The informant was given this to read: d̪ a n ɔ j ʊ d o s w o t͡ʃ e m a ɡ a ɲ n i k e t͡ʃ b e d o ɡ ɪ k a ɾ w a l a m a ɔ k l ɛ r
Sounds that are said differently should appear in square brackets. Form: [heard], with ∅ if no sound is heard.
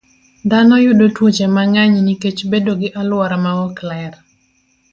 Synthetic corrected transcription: d̪ a n ɔ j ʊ d o [t] w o t͡ʃ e m a [ŋ] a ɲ n i k e t͡ʃ b e d o ɡ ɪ [ʔ] a [l] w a [ɾ] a m a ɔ k l ɛ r